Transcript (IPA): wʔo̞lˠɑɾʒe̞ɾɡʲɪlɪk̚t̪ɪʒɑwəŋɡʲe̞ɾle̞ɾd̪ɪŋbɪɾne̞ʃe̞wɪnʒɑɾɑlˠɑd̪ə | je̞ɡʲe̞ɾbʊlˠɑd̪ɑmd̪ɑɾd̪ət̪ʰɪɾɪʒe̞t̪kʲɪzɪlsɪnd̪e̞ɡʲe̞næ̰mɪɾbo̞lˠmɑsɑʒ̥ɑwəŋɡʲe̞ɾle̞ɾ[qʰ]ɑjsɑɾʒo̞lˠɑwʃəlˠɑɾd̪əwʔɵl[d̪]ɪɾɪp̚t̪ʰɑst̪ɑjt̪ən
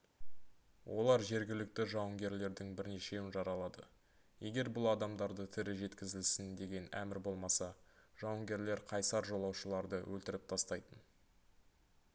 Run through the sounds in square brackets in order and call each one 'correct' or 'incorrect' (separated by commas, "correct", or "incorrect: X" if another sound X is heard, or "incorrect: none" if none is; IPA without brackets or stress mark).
correct, incorrect: t̪